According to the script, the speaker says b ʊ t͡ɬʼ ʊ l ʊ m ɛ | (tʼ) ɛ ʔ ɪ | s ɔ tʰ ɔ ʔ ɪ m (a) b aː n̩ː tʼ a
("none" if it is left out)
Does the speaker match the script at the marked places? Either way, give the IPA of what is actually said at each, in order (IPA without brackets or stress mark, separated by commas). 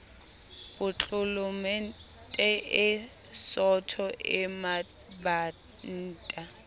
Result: tʼ, a